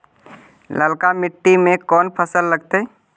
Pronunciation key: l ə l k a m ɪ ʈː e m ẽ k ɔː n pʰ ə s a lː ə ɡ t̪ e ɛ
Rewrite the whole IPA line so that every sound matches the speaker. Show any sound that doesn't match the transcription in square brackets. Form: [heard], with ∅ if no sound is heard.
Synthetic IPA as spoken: l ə l k a m ɪ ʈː [i] m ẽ k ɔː n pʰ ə s [ə] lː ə ɡ t̪ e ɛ